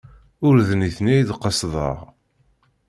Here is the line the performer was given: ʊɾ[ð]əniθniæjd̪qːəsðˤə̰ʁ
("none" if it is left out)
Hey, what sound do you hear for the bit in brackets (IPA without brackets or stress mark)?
ð